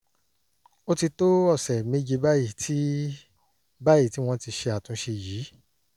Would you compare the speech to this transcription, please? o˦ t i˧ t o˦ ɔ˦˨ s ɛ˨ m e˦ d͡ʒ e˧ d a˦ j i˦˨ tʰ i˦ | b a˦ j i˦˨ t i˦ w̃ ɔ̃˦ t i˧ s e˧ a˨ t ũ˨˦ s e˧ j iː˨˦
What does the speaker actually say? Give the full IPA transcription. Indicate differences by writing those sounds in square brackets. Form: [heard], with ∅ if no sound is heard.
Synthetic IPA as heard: o˦ t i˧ t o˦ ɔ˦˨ s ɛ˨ m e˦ d͡ʒ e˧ [b] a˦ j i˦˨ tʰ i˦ | b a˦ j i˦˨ t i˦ w̃ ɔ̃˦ t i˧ [ʃ] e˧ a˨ t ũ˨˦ [ʃ] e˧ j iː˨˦